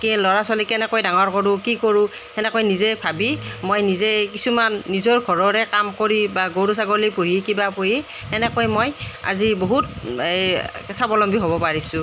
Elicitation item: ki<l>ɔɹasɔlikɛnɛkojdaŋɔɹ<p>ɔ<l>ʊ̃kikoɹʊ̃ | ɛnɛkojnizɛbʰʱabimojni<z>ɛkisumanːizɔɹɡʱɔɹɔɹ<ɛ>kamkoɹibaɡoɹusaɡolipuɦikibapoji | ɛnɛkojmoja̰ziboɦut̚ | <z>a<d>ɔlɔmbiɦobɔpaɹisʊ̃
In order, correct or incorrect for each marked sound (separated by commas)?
correct, incorrect, incorrect, correct, correct, incorrect, incorrect